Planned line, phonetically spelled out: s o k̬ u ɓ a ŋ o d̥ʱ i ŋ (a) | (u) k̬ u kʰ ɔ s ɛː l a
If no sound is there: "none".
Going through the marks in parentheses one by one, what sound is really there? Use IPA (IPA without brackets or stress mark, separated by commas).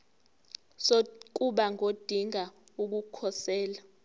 a, u